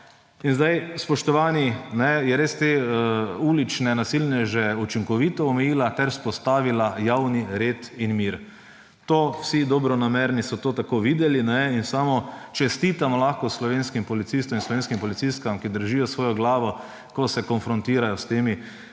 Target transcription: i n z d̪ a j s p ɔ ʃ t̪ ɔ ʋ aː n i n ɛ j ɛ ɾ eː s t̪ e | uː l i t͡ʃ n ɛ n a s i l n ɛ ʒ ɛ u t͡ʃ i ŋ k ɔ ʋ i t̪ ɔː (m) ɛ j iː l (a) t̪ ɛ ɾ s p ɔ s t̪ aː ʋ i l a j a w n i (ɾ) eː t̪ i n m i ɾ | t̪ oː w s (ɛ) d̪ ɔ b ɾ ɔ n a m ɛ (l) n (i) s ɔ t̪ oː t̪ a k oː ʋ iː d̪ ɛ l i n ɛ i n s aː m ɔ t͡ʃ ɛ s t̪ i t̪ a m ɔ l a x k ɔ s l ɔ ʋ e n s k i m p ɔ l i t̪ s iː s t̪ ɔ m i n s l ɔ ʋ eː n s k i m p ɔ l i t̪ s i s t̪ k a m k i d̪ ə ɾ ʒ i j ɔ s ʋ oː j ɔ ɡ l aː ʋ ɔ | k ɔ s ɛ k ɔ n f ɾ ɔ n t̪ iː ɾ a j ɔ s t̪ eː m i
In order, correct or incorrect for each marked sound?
correct, correct, correct, incorrect: i, incorrect: ɾ, correct

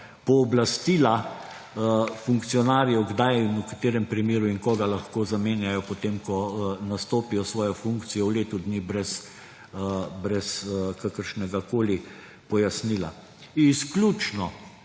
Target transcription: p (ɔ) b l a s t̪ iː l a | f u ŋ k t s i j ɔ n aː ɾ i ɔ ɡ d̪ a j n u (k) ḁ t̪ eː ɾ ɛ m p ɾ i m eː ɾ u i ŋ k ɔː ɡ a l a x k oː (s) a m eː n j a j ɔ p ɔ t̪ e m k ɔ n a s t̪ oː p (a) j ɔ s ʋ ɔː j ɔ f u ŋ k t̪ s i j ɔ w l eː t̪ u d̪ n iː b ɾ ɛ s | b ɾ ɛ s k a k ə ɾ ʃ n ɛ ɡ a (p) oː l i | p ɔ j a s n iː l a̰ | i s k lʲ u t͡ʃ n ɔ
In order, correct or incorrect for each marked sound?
incorrect: ɔː, correct, incorrect: z, incorrect: i, incorrect: k

